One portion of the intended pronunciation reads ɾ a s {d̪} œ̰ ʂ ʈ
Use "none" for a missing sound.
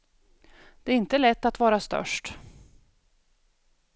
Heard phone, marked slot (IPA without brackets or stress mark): t̪